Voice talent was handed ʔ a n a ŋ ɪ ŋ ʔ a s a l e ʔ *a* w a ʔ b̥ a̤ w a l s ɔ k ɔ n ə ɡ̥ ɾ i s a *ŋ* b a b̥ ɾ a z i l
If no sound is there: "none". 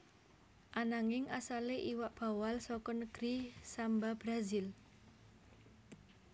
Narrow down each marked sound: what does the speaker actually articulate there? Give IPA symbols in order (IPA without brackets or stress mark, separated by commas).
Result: i, m